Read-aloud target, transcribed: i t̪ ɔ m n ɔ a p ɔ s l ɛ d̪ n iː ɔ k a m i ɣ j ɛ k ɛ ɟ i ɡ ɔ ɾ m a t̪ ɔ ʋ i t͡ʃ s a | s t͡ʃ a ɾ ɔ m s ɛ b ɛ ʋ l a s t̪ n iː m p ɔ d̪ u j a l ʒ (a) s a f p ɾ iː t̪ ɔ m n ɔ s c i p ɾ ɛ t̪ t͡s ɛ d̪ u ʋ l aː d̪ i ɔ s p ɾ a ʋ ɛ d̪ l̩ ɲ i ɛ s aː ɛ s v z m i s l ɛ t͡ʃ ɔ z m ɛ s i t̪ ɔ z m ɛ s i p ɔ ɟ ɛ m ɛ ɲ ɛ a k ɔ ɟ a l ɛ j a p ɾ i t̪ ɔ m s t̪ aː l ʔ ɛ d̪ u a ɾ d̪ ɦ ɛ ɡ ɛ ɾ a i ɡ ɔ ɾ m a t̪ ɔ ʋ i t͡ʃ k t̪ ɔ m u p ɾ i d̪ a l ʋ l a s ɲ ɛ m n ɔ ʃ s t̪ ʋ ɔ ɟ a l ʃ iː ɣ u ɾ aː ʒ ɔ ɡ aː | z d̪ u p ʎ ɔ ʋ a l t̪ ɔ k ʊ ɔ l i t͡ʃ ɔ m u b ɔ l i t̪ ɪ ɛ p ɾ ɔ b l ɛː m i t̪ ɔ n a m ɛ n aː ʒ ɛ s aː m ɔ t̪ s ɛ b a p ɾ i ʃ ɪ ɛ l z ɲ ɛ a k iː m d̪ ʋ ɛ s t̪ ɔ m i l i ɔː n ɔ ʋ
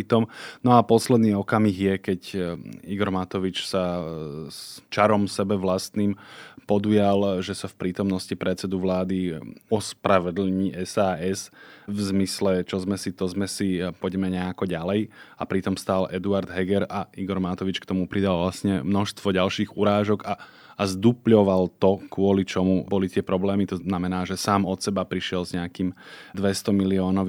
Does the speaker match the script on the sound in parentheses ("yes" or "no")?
no